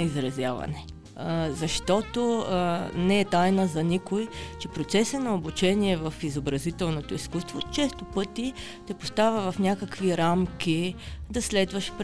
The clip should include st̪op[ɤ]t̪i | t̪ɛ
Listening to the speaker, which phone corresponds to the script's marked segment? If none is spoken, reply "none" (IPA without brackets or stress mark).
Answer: ɤ